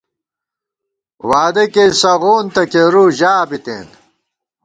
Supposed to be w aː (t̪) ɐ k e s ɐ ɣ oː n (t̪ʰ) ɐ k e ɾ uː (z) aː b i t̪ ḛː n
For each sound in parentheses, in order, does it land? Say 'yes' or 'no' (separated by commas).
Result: no, no, no